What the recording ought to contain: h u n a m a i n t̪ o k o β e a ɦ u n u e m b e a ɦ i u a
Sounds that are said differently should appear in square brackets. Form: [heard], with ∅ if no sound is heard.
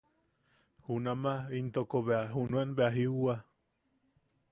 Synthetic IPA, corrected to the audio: h u n a m a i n t̪ o k o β e a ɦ u n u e [n] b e a ɦ i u a